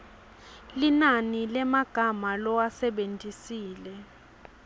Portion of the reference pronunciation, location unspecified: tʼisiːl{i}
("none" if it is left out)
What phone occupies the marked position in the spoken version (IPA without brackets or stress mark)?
ɛ